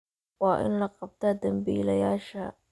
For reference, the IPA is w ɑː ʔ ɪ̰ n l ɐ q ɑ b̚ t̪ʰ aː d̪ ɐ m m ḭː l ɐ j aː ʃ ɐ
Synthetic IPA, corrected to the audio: w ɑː ʔ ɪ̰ n l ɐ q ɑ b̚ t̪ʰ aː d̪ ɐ m b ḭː l ɐ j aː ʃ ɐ